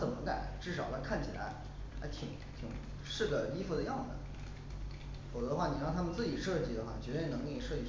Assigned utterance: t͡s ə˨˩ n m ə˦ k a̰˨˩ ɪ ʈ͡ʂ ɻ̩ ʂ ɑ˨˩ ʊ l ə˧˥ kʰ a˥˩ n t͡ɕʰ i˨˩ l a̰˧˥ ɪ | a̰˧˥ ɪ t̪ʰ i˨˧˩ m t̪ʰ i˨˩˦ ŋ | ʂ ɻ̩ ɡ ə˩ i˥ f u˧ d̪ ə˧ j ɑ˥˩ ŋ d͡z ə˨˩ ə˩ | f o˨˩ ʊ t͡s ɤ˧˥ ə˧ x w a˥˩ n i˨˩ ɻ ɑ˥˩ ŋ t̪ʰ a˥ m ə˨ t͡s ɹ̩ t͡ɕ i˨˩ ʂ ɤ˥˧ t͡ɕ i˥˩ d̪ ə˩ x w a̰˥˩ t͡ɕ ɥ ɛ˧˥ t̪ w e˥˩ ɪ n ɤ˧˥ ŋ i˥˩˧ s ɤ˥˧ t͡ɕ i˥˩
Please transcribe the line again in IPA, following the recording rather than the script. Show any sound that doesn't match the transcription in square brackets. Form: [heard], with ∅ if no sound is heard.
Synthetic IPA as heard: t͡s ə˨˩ n m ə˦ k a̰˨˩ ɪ ʈ͡ʂ ɻ̩ ʂ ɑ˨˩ ʊ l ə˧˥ kʰ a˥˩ n t͡ɕʰ i˨˩ l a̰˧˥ ɪ | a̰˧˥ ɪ t̪ʰ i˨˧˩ [ŋ] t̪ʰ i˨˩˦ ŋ | ʂ ɻ̩ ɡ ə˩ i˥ f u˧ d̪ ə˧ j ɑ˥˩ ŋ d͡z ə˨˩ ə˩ | f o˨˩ ʊ t͡s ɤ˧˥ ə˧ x w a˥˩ n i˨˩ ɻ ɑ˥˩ ŋ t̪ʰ a˥ m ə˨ t͡s ɹ̩ t͡ɕ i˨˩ ʂ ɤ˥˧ t͡ɕ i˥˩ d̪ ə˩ x w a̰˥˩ t͡ɕ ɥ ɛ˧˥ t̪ w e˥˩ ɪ n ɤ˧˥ ŋ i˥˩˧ [ʂ] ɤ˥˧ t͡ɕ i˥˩